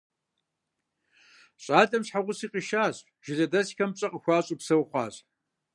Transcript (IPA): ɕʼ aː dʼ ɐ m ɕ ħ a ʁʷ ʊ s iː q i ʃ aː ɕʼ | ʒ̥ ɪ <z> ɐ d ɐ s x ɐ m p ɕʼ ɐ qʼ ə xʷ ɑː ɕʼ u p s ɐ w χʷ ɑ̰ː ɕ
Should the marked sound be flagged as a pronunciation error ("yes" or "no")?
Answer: no